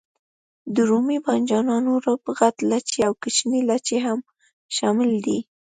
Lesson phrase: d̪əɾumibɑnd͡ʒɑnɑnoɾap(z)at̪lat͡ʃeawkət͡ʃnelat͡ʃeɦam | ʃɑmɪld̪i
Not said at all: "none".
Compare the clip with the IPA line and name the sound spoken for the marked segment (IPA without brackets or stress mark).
ɣ